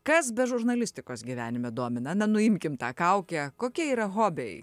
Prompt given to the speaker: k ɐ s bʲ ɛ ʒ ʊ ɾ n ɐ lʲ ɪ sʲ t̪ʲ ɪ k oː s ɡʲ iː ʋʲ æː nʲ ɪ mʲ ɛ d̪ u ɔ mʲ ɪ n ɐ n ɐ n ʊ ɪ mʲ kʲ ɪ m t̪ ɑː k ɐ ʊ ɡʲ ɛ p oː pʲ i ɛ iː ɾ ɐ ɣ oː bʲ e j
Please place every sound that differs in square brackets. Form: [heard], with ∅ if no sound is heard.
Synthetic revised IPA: k ɐ s bʲ ɛ ʒ ʊ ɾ n ɐ lʲ ɪ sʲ t̪ʲ ɪ k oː s ɡʲ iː ʋʲ æː nʲ ɪ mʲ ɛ d̪ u ɔ mʲ ɪ n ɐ n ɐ n ʊ ɪ mʲ kʲ ɪ m t̪ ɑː k ɐ ʊ [kʲ] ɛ [k] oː [kʲ] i ɛ iː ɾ ɐ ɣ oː bʲ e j